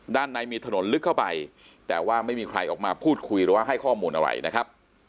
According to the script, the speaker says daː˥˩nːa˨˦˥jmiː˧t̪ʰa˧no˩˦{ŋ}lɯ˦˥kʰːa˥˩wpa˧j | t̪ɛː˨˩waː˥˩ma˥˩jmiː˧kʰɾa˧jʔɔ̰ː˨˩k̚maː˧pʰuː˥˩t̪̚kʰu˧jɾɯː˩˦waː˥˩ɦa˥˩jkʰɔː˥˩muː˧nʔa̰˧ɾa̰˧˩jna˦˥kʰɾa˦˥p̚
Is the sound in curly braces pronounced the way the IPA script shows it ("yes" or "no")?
no